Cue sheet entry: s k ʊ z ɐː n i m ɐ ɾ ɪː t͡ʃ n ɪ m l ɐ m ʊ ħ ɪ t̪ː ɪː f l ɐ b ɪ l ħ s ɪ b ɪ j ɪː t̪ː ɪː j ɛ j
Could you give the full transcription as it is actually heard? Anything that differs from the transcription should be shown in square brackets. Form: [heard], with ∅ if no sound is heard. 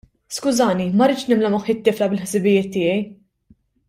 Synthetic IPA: s k ʊ z ɐː n i m ɐ ɾ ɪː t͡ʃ n ɪ m l ɐ m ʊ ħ ɪ t̪ː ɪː f l ɐ b ɪ l ħ s ɪ b ɪ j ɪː t̪ː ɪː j ɛ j